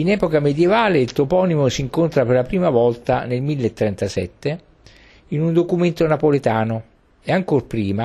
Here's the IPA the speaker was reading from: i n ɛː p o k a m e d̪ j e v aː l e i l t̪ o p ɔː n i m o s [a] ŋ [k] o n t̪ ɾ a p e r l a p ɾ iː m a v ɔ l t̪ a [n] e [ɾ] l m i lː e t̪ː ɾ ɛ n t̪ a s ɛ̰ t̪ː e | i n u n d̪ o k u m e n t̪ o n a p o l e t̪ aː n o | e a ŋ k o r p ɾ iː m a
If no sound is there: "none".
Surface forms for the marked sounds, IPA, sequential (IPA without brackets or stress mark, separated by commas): i, k, n, none